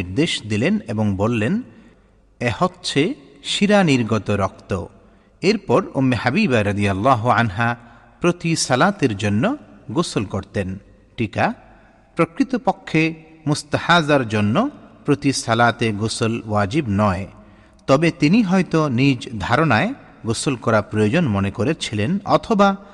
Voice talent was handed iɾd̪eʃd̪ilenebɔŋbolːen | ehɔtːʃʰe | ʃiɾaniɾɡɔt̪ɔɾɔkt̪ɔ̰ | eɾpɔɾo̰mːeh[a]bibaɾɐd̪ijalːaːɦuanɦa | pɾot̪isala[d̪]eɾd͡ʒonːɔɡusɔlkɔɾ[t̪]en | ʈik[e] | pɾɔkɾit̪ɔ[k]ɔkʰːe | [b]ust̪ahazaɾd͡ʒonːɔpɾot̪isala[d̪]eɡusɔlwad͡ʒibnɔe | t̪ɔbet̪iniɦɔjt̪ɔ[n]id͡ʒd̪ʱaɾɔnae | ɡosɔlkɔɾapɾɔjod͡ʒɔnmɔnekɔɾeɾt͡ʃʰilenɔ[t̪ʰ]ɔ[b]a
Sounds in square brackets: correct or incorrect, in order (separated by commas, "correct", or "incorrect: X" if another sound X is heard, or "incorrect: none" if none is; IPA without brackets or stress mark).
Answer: correct, incorrect: t̪, correct, incorrect: a, incorrect: p, incorrect: m, incorrect: t̪, correct, correct, correct